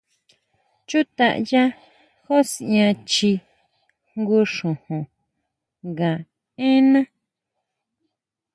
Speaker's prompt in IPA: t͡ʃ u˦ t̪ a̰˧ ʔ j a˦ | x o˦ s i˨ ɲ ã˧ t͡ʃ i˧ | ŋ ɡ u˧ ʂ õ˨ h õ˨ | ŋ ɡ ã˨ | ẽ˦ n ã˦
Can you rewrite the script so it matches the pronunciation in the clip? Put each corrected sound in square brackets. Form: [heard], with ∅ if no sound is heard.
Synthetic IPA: t͡ʃ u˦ t̪ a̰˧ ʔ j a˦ | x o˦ s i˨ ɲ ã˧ t͡ʃ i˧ | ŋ ɡ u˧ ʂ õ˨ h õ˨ | ŋ ɡ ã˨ | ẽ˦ n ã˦